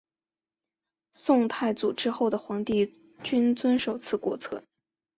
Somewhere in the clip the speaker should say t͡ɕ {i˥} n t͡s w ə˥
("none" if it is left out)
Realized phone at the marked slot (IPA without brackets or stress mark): y˥